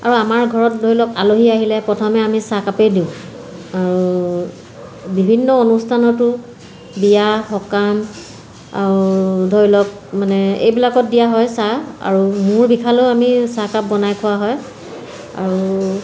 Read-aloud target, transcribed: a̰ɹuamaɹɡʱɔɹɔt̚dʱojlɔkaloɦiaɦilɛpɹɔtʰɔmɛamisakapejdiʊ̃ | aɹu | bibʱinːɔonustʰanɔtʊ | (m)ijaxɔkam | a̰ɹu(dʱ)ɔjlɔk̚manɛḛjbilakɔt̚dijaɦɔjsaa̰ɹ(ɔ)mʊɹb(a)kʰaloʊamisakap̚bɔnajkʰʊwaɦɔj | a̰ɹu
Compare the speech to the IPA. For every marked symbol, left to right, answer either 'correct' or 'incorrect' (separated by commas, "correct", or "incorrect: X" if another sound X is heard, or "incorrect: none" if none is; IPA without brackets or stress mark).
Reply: incorrect: b, correct, incorrect: u, incorrect: i